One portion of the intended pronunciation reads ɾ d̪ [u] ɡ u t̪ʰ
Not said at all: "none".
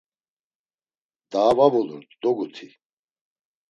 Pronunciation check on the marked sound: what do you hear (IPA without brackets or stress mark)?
ɔ